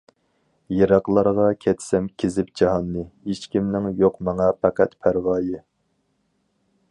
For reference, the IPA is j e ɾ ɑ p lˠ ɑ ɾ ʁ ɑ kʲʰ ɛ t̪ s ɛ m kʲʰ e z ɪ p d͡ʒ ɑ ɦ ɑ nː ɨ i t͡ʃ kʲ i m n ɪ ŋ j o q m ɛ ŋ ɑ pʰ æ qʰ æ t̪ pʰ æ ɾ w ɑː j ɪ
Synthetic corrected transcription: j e ɾ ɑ q lˠ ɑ ɾ ʁ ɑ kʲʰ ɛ t̪ s ɛ m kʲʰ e z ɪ p d͡ʒ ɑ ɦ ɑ nː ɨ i t͡ʃ kʲ i m n ɪ ŋ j o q m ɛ ŋ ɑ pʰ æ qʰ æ t̪ pʰ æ ɾ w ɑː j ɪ